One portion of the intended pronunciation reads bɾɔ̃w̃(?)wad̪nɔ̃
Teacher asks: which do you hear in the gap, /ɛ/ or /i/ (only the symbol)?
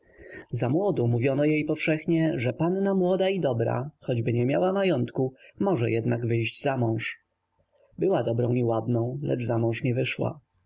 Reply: i